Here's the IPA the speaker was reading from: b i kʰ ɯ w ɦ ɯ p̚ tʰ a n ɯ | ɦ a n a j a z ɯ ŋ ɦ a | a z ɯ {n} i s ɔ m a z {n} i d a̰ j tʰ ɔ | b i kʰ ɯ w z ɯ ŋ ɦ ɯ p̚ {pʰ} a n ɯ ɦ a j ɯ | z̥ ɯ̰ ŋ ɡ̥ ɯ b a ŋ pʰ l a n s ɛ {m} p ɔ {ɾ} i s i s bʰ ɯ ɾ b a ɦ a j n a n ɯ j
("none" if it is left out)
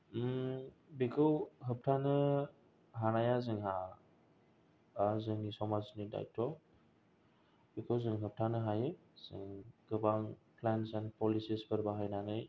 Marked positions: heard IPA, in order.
ŋ, n, tʰ, n, l

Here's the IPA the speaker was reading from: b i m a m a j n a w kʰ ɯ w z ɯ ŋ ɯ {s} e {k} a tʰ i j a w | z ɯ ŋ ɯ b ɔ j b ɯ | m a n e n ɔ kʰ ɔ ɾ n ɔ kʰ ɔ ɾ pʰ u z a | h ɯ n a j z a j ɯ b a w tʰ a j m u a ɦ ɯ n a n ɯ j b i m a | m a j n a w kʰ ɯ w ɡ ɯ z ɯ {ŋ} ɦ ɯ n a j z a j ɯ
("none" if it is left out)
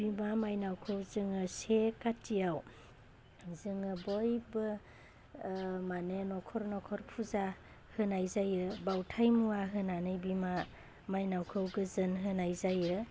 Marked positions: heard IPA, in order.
s, k, n

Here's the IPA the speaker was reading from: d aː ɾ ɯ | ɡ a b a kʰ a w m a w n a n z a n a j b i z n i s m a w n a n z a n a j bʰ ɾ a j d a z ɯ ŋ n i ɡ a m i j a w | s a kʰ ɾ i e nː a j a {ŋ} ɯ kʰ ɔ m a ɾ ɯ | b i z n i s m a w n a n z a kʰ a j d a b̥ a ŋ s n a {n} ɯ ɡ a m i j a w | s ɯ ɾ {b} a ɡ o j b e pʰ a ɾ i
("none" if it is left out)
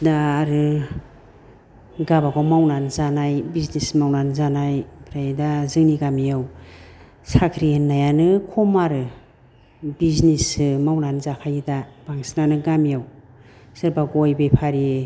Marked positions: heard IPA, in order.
n, n, b

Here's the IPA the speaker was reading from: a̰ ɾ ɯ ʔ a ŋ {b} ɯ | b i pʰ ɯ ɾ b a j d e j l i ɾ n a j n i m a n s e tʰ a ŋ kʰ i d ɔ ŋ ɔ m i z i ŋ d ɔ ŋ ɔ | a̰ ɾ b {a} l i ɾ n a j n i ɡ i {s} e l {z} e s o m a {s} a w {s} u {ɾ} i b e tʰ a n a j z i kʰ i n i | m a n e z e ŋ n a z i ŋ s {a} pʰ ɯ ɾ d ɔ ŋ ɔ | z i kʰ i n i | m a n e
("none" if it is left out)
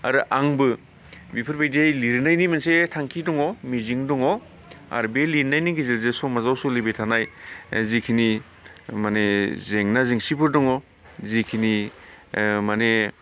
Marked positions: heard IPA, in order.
b, e, z, z, z, s, l, i

